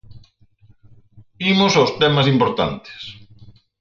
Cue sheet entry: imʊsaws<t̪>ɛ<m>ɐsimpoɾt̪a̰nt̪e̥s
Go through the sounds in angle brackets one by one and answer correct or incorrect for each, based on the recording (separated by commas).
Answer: correct, correct